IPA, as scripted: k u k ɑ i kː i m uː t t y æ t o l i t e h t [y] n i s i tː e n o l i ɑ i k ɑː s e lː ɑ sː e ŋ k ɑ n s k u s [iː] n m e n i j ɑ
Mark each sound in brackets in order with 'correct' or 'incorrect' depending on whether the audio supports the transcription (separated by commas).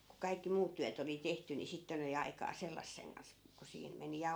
correct, correct